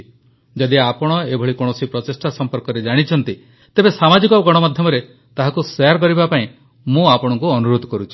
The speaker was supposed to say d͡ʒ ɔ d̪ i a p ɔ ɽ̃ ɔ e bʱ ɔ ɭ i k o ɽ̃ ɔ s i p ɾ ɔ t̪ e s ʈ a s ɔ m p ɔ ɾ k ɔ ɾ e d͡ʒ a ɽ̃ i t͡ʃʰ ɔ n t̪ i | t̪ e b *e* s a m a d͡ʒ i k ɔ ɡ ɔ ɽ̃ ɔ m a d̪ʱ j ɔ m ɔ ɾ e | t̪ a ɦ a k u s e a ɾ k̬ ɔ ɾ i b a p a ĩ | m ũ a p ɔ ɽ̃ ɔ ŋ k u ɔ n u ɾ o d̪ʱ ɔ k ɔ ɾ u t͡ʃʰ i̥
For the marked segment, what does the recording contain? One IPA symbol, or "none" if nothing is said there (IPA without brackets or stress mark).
e